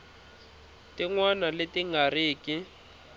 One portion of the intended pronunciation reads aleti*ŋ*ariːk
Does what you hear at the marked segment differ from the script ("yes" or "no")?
no